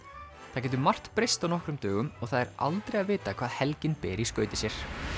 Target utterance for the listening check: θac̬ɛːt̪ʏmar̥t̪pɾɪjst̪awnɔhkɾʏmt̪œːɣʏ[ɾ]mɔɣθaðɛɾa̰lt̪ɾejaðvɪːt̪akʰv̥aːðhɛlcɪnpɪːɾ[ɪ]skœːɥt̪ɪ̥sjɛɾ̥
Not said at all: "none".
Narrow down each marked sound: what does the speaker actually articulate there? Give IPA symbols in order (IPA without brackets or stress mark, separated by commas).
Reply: none, i